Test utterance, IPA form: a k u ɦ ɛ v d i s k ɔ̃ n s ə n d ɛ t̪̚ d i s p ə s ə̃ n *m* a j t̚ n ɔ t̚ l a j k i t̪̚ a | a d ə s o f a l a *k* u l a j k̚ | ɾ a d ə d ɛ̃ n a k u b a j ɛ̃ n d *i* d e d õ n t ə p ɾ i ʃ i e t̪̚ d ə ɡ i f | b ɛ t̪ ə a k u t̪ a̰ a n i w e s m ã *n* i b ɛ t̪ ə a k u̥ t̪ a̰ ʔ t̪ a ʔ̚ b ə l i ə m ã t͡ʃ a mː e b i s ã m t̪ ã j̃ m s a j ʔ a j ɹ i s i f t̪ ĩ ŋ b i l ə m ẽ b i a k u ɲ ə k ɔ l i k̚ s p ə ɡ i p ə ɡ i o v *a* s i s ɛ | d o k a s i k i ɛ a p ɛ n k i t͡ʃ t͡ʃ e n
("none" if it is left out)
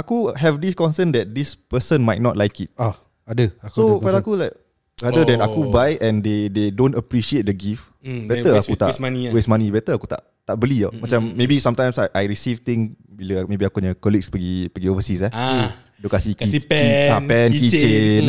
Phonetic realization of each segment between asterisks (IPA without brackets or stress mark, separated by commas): m, k, e, n, ə